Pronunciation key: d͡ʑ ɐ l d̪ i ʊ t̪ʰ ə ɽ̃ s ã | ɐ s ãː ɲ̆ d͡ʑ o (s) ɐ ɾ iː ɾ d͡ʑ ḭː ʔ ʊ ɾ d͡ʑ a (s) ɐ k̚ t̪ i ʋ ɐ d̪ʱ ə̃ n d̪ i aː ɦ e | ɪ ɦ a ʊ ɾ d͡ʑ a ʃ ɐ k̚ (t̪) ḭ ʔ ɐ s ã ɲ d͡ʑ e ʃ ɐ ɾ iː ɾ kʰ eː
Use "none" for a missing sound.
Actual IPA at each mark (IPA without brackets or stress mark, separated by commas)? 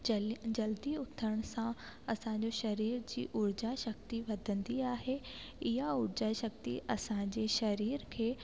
ʃ, ʃ, t̪